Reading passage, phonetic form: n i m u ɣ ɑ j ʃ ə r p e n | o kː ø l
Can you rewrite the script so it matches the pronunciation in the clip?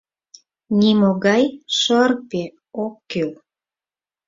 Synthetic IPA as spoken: n i m o ɣ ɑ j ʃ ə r p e | o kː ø l